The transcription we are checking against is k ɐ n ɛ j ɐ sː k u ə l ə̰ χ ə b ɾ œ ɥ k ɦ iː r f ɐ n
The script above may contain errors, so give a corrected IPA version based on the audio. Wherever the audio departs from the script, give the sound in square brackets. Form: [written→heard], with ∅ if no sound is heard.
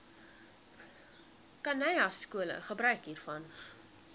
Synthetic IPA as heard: k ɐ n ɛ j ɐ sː k u ə l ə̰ χ ə b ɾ œ ɥ k ɦ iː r f ɐ n